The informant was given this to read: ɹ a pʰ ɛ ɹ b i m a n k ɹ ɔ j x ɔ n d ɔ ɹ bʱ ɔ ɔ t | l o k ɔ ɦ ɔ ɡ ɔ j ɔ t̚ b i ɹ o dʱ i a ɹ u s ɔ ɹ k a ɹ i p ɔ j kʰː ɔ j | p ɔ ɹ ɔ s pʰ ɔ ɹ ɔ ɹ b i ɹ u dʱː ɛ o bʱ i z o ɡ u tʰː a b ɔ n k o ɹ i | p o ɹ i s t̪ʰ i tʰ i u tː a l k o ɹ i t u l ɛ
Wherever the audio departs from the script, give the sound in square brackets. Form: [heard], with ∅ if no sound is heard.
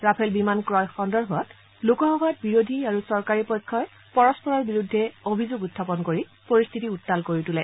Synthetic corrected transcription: ɹ a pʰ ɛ [l] b i m a n k ɹ ɔ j x ɔ n d ɔ ɹ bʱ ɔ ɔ t | l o k ɔ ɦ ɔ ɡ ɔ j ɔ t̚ b i ɹ o dʱ i a ɹ u s ɔ ɹ k a ɹ i p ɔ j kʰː ɔ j | p ɔ ɹ ɔ s [p] ɔ ɹ ɔ ɹ b i ɹ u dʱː ɛ o bʱ i z o ɡ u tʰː a [p] ɔ n k o ɹ i | p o ɹ i s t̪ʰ i [t] i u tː a l k o ɹ i t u l ɛ